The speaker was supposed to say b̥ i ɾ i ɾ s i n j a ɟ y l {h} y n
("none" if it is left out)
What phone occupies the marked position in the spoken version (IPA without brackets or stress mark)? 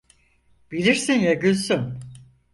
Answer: s